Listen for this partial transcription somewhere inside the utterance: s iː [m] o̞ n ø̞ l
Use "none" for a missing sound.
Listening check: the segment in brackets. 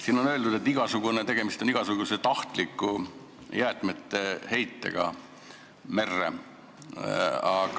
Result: n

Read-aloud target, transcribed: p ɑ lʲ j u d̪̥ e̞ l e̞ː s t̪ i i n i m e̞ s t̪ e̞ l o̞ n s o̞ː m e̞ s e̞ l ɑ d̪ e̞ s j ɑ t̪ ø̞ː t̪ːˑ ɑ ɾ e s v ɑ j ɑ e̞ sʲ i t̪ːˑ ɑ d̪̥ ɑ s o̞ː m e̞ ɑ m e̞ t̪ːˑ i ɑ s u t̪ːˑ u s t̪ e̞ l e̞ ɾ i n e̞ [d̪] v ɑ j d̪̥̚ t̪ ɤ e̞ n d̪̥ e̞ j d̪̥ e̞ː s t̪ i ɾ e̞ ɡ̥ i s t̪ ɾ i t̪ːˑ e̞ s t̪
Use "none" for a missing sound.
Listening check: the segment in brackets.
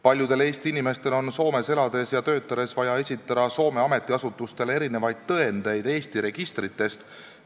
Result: none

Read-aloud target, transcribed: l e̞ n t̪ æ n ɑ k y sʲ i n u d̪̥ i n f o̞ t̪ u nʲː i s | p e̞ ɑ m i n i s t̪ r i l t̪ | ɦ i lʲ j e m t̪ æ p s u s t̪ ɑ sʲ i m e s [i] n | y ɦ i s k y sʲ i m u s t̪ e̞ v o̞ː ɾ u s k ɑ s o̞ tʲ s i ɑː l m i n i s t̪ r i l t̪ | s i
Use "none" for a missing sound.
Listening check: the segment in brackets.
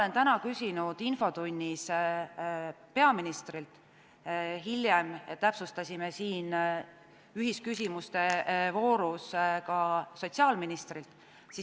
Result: iː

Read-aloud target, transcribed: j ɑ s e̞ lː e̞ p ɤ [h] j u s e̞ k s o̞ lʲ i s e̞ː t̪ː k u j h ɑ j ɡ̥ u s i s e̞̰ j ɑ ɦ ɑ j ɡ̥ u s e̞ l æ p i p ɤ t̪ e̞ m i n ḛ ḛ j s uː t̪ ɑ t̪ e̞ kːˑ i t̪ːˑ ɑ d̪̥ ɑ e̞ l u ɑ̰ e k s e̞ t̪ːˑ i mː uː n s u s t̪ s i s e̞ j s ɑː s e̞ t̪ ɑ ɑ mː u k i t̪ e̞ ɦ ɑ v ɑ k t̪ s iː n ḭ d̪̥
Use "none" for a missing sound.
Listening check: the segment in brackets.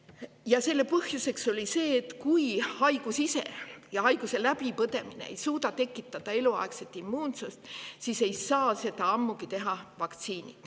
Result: h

